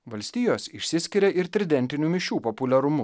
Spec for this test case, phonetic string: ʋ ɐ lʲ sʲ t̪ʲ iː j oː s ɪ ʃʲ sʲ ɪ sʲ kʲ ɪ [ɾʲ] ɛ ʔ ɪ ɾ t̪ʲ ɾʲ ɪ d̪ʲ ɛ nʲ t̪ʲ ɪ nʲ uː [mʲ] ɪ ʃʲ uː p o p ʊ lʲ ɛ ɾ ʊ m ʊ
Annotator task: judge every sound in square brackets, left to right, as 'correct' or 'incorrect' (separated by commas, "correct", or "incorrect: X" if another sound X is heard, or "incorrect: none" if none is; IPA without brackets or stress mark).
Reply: correct, correct